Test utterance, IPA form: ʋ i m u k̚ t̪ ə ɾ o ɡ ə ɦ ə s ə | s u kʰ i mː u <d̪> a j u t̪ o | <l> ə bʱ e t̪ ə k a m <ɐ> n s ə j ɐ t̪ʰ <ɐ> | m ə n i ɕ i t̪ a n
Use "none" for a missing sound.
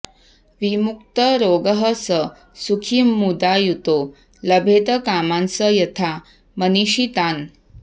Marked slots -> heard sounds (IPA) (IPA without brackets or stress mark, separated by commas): d̪, l, a, a